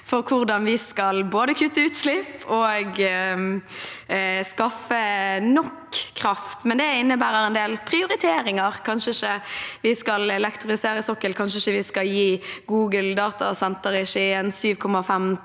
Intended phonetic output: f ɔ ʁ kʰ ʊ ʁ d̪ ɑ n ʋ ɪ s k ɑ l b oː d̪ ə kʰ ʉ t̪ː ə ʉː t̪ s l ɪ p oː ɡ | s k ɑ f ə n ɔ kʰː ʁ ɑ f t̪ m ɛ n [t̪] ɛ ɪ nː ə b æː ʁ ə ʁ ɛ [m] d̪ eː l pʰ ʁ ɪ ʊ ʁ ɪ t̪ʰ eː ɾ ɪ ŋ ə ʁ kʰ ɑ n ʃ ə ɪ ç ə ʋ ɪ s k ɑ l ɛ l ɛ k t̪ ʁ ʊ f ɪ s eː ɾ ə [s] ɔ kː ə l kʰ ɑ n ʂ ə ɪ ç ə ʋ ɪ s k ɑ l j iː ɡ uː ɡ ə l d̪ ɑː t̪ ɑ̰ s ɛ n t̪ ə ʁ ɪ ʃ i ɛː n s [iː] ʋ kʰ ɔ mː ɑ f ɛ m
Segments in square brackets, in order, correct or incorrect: incorrect: d̪, incorrect: n, correct, incorrect: yː

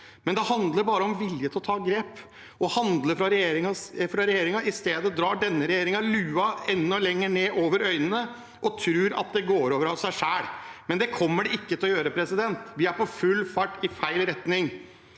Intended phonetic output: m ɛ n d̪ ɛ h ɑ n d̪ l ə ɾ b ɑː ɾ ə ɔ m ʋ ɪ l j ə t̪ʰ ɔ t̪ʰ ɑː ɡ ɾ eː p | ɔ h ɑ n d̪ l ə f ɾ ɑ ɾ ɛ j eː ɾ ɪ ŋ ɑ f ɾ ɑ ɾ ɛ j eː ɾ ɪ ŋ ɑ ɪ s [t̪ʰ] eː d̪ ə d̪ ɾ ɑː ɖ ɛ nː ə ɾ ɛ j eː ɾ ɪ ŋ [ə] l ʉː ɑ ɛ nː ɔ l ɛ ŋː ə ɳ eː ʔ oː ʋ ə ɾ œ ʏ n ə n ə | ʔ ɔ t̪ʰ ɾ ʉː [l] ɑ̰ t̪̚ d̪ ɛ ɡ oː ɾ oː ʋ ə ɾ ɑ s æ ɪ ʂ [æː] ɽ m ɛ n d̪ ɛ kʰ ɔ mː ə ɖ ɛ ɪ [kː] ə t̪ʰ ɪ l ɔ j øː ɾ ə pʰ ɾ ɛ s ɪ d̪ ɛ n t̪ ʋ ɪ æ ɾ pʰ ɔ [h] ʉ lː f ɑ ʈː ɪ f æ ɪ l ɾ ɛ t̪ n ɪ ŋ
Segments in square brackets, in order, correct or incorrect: incorrect: t̪, incorrect: ɑ, incorrect: ɾ, correct, correct, incorrect: f

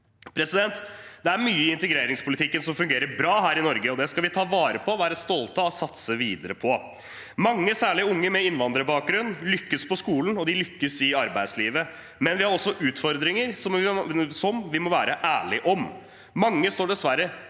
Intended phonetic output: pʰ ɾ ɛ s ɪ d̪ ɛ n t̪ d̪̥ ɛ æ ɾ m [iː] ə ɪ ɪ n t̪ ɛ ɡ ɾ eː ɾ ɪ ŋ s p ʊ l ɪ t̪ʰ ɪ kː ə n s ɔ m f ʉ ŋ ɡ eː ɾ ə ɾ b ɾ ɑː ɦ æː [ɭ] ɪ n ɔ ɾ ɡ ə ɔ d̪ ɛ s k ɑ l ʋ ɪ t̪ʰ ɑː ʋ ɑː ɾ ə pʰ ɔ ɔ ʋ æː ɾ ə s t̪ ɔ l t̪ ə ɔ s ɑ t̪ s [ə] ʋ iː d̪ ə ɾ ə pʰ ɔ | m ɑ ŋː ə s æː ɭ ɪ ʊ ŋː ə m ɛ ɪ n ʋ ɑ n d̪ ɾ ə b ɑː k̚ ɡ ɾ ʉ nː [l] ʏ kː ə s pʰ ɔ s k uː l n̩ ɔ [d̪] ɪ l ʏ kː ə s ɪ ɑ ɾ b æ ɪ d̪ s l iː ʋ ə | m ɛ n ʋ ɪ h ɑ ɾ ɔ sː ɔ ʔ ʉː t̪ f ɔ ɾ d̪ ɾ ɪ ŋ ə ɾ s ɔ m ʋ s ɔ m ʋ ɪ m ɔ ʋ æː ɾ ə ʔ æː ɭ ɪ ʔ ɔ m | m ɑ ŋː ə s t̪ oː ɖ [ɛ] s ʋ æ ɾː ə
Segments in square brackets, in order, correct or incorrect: incorrect: yː, incorrect: ɾ, correct, correct, correct, correct

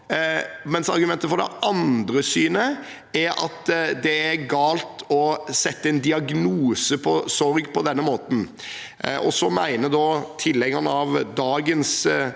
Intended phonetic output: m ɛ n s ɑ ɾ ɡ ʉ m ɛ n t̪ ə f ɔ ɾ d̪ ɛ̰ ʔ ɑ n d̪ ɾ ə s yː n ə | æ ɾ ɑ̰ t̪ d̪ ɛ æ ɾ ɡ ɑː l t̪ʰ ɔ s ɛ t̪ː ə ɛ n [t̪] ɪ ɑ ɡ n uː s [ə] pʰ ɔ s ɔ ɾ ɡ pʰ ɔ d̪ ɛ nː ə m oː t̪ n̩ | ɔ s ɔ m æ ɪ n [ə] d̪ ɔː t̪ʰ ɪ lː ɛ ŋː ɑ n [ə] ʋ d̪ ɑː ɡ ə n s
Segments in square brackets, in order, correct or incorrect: incorrect: d̪, correct, correct, incorrect: ɑ

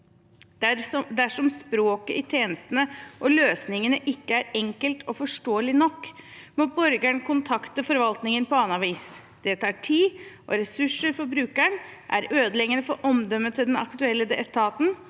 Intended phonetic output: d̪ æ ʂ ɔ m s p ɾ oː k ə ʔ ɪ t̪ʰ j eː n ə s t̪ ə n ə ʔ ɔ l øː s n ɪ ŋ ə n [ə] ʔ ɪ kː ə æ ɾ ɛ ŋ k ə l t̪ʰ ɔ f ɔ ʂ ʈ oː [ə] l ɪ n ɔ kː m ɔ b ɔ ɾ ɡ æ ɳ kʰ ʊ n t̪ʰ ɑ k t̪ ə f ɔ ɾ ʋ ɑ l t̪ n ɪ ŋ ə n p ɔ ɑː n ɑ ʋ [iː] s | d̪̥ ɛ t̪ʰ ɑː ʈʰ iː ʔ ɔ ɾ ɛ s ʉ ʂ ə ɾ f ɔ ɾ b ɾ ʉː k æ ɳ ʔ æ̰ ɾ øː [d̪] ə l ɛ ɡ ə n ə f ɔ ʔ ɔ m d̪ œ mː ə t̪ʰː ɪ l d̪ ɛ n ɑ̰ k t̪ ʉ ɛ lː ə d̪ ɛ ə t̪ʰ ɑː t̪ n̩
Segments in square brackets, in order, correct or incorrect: correct, correct, correct, correct

